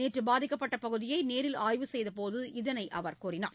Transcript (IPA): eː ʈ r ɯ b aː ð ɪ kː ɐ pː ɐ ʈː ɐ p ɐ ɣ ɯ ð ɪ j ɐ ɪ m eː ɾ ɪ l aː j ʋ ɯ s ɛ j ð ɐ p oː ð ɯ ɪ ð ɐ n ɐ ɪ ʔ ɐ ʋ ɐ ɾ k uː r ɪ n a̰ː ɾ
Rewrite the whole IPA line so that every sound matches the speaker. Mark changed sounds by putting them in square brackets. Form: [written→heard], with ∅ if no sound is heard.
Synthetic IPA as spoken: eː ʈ r ɯ b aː ð ɪ kː ɐ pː ɐ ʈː ɐ p ɐ ɣ ɯ ð ɪ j ɐ ɪ [m→n] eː ɾ ɪ l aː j ʋ ɯ s ɛ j ð ɐ p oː ð ɯ ɪ ð ɐ n ɐ ɪ ʔ ɐ ʋ ɐ ɾ k uː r ɪ n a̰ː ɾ